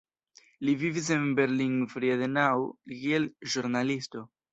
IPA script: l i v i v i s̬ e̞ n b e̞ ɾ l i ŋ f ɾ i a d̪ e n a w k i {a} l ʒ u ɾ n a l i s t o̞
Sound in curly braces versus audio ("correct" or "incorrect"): incorrect